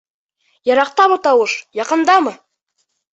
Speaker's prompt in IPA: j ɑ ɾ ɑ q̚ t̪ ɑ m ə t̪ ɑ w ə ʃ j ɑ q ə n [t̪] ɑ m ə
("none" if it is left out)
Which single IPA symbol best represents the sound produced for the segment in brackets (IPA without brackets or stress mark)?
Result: d̪